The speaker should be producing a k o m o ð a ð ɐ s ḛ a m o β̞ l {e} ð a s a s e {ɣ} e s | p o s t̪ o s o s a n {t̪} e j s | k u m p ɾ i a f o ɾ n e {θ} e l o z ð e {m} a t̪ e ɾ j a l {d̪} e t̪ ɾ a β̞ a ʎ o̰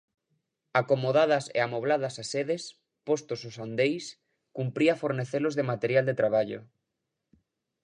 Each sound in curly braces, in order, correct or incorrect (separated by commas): incorrect, incorrect, incorrect, correct, correct, correct